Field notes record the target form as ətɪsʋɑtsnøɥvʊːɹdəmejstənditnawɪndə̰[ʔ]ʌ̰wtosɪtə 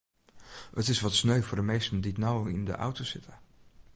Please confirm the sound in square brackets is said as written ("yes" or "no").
yes